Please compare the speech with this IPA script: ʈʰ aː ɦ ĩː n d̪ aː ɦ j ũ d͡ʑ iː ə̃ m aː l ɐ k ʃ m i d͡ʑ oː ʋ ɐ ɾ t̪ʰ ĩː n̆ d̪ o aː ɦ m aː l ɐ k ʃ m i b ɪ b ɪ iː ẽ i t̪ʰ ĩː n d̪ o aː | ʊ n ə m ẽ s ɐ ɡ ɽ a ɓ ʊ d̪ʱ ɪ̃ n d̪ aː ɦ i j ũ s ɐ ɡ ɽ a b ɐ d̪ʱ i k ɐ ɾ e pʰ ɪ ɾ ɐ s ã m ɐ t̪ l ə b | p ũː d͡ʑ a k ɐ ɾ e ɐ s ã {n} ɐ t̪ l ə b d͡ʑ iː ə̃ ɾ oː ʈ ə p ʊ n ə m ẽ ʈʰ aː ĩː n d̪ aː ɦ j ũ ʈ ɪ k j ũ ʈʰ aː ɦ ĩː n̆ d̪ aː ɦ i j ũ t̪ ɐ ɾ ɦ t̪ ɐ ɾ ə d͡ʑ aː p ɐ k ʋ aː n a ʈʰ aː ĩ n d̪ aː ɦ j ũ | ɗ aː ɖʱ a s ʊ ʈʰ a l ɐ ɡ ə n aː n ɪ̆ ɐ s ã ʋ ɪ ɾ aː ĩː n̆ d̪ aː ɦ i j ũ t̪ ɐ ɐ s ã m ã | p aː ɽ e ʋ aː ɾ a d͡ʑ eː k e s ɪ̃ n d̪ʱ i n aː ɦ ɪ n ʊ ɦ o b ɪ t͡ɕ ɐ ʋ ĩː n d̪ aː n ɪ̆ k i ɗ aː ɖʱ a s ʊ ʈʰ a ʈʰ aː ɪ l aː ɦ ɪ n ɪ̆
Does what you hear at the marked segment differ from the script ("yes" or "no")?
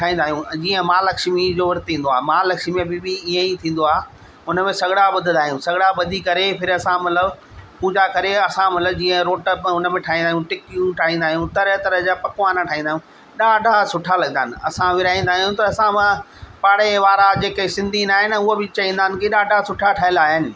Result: yes